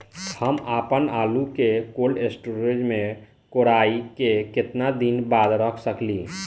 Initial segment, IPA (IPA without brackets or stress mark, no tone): h